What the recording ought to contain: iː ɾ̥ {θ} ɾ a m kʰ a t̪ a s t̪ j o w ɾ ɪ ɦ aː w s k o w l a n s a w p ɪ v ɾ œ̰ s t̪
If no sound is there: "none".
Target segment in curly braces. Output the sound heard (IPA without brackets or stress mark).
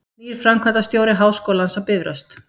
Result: f